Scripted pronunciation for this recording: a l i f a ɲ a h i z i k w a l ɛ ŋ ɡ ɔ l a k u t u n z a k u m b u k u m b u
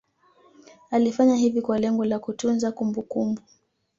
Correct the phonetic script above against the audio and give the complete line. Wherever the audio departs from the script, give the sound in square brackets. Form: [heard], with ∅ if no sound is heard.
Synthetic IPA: a l i f a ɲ a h i [v] i k w a l ɛ ŋ ɡ ɔ l a k u t u n z a k u m b u k u m b u